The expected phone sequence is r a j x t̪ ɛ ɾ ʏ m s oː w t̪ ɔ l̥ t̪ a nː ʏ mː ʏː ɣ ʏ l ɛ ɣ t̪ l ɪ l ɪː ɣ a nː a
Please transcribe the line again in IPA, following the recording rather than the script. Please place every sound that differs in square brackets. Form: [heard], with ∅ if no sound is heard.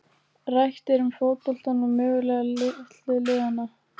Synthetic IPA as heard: r a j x t̪ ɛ ɾ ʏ m [f] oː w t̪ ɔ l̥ t̪ a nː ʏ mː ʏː ɣ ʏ l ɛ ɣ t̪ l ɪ l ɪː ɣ a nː a